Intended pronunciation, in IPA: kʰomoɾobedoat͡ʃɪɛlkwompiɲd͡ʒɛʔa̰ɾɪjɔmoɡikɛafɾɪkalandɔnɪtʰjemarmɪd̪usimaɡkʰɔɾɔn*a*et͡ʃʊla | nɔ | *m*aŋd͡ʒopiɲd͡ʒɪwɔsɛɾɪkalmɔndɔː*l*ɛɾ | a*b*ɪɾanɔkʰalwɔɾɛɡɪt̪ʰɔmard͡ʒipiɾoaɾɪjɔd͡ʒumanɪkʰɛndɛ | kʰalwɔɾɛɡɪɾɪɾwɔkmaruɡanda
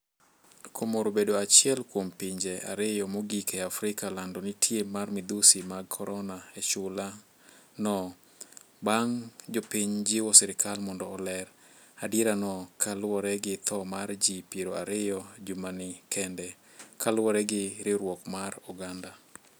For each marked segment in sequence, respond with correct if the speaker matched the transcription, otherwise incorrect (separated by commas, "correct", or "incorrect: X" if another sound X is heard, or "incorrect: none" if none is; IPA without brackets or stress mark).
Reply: correct, incorrect: b, correct, incorrect: d